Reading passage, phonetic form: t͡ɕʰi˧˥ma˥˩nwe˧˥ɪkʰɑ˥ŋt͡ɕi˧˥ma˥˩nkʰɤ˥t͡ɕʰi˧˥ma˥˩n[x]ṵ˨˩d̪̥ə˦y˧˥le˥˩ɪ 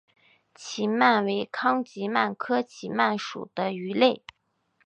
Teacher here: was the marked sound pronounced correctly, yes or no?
no